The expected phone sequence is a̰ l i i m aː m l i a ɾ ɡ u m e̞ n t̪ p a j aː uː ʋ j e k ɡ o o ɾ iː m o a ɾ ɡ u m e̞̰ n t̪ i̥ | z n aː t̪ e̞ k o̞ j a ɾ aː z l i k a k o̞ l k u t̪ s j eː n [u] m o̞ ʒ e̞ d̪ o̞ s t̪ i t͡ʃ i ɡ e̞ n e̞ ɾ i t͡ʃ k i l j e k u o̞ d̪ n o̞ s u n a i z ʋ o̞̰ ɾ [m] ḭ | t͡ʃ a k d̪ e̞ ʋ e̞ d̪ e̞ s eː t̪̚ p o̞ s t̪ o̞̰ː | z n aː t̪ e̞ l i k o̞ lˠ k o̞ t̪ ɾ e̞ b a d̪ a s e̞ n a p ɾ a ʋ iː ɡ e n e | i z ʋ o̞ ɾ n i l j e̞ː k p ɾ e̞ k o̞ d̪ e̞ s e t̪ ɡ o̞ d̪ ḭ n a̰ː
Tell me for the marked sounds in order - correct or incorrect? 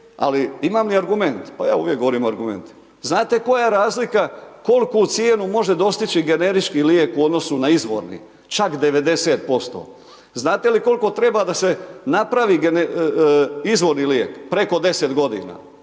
correct, incorrect: n

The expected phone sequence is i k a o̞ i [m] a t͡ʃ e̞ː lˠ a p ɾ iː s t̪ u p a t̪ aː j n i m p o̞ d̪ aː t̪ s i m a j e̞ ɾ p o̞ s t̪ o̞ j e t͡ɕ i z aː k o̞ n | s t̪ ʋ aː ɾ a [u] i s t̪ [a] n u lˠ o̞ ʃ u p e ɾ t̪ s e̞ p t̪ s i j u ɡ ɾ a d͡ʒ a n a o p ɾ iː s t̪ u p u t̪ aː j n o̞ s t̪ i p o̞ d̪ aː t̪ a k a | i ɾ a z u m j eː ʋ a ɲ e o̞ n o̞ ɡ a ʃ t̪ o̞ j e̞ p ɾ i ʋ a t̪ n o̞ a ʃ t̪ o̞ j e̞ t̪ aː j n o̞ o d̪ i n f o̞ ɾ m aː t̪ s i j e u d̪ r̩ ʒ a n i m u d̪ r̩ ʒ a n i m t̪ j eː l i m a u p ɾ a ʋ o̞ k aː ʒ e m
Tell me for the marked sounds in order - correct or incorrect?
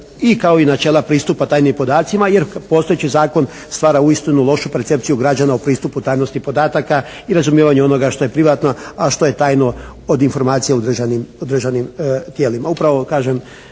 incorrect: n, correct, incorrect: i

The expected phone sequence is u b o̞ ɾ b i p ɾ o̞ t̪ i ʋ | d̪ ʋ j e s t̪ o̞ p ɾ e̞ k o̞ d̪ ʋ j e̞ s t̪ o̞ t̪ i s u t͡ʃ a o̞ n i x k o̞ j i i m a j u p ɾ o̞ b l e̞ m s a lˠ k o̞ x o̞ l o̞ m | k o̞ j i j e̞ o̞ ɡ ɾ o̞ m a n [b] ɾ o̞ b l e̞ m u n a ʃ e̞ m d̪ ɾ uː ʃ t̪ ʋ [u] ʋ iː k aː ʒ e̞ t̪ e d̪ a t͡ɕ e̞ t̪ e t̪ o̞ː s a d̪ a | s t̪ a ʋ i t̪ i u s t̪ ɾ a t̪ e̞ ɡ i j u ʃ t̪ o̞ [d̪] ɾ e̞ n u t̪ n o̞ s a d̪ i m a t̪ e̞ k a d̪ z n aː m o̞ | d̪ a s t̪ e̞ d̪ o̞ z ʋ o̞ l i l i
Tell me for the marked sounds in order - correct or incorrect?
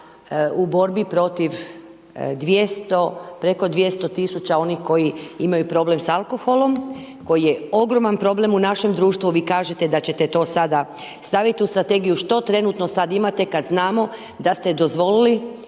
incorrect: p, correct, incorrect: t̪

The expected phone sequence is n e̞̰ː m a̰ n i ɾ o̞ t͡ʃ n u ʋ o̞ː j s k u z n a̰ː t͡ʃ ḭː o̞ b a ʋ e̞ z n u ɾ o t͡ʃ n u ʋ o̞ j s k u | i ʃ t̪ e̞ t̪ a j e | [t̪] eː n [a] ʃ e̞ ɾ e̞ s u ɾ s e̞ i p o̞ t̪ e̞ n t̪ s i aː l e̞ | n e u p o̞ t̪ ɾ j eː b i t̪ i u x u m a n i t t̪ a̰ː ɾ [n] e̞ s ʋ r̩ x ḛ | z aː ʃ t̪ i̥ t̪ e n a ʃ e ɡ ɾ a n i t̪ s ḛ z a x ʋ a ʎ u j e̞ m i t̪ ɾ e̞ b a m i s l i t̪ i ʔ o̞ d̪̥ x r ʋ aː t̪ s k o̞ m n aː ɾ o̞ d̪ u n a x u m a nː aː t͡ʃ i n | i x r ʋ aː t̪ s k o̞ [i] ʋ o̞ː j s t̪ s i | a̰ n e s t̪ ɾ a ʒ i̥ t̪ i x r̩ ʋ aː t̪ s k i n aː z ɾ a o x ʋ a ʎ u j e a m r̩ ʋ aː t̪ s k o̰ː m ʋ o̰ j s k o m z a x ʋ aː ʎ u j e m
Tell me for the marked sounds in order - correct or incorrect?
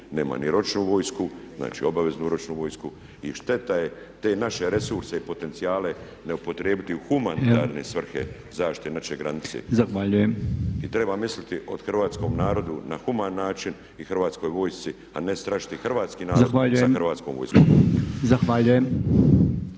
correct, correct, correct, incorrect: j

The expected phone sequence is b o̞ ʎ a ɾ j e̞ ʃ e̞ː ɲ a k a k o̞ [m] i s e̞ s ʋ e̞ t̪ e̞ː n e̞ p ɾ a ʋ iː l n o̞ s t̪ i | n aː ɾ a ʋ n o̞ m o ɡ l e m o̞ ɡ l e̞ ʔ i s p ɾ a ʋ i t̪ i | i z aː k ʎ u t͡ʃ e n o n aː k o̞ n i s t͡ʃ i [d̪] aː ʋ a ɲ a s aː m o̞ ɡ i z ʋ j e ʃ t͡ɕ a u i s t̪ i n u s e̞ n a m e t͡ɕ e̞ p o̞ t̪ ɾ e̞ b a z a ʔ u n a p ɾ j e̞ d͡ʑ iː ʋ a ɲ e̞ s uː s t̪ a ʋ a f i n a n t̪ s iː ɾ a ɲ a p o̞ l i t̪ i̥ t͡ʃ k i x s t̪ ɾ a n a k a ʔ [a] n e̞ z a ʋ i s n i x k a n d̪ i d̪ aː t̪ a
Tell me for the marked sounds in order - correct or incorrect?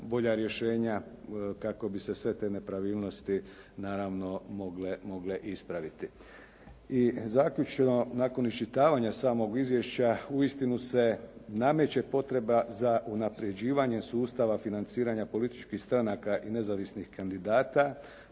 incorrect: b, incorrect: t̪, incorrect: i

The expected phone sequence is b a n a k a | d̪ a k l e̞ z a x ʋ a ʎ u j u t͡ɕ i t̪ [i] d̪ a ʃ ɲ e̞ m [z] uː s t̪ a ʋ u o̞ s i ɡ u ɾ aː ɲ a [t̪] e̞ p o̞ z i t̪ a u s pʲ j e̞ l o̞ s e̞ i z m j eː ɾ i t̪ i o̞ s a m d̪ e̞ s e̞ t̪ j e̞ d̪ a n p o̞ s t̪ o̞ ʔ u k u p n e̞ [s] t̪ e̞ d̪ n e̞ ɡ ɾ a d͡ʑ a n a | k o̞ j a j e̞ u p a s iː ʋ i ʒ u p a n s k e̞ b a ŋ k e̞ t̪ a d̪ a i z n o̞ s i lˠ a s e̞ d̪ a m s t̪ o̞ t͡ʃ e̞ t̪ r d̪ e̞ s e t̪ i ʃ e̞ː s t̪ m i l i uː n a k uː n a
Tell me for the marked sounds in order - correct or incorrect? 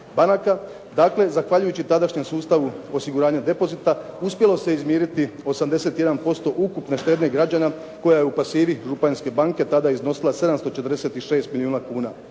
incorrect: a, incorrect: s, incorrect: d̪, incorrect: ʃ

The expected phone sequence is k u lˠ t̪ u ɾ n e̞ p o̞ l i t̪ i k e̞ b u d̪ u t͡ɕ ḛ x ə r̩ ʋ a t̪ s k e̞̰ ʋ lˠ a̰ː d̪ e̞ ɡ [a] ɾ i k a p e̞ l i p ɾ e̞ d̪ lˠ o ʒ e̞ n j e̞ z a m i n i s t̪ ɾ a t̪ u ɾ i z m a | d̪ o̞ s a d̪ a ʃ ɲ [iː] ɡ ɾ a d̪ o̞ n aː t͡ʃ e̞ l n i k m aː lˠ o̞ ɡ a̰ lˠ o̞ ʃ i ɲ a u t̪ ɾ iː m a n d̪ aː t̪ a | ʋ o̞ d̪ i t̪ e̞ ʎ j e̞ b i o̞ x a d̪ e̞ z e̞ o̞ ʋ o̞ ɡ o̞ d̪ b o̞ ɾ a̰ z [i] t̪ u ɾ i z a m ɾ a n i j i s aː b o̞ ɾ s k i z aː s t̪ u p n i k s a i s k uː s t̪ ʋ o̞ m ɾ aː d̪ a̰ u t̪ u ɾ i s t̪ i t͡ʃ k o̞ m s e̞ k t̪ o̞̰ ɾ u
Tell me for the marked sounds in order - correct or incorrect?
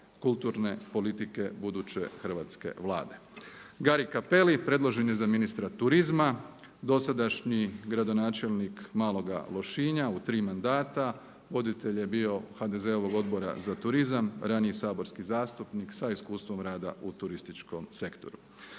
correct, incorrect: i, incorrect: a

